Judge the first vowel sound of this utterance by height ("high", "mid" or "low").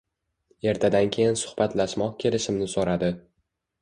mid